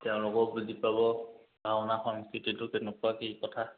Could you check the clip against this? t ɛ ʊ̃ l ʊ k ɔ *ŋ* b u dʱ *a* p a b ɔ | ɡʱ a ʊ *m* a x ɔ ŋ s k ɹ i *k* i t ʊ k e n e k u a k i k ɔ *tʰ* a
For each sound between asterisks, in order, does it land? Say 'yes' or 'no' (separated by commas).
no, no, no, no, yes